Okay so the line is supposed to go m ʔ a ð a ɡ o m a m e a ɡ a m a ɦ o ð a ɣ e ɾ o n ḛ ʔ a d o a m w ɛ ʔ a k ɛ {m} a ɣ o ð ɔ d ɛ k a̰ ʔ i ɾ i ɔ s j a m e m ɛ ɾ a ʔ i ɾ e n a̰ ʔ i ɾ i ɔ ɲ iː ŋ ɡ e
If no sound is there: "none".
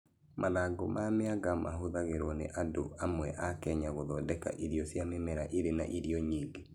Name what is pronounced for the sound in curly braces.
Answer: ɲ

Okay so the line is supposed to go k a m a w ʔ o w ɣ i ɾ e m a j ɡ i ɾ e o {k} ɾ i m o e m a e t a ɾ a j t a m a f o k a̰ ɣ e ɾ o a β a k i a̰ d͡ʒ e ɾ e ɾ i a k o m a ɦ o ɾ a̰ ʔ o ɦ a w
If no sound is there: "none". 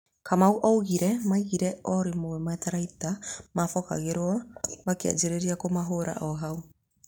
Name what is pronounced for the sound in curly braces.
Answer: none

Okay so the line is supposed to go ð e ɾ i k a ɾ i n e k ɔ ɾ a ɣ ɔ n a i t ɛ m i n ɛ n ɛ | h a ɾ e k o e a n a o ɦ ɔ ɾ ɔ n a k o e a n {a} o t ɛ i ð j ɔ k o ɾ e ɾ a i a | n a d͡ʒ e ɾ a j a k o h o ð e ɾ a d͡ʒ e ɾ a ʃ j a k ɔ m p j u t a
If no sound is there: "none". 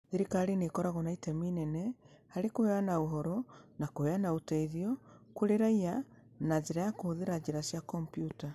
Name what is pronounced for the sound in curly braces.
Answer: a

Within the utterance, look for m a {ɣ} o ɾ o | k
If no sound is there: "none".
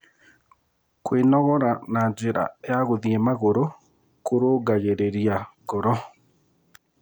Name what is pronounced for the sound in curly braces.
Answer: ɣ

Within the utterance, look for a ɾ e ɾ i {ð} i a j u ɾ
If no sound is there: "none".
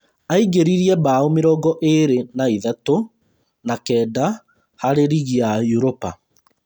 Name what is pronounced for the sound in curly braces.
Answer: ɣ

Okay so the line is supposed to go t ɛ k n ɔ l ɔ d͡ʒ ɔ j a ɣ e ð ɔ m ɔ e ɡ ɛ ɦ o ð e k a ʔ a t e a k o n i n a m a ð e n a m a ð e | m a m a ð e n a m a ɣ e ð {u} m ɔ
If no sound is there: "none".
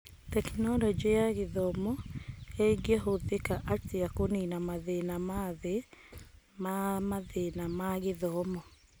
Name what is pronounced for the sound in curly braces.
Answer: ɔ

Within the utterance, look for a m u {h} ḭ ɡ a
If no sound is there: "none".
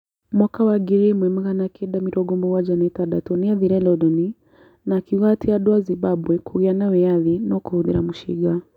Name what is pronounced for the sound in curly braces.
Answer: ʃ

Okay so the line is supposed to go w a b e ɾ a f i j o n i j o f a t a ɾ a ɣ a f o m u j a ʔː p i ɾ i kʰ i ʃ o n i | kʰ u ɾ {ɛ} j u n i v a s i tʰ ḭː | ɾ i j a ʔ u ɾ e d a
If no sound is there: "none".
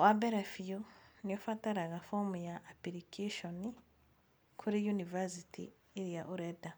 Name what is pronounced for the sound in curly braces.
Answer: i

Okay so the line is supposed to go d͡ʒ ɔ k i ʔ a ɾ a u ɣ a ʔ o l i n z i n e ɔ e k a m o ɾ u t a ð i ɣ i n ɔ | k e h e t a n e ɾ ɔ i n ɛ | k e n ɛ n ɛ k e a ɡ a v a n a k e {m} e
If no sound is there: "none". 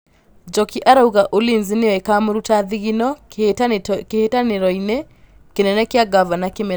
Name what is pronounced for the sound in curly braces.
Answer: m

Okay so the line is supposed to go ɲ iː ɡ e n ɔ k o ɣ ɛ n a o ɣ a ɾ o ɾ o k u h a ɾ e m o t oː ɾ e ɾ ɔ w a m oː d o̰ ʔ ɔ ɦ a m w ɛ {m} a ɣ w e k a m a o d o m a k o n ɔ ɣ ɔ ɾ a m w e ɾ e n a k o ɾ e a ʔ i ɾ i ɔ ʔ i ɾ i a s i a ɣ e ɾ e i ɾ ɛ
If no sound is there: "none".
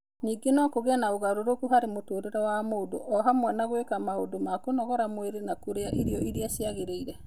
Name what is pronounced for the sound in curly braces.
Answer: n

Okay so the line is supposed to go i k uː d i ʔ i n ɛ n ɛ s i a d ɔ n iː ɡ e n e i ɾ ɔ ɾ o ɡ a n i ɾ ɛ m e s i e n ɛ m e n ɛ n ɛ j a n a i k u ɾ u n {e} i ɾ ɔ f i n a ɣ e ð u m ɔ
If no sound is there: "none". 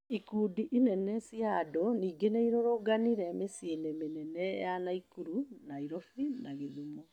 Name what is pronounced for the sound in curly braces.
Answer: a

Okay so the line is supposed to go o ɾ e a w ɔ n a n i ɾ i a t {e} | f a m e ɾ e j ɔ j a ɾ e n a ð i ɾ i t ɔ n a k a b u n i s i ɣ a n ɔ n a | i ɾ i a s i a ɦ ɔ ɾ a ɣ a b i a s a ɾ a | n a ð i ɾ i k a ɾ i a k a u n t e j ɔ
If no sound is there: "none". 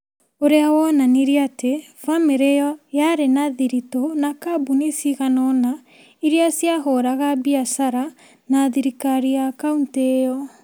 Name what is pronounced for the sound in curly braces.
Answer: e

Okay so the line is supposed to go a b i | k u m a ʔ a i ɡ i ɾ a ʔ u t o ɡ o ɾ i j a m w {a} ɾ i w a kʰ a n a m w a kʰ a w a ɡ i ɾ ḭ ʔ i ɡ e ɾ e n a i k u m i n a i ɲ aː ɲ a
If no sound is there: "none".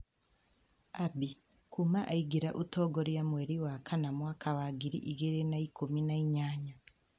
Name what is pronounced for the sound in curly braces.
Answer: e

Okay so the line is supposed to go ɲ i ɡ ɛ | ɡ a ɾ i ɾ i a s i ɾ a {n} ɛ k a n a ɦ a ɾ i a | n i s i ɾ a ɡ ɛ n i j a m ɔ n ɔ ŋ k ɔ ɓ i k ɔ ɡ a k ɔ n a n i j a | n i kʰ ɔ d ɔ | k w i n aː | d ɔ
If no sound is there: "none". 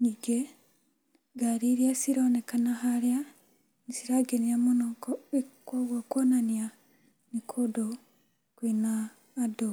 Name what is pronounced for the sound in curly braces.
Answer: n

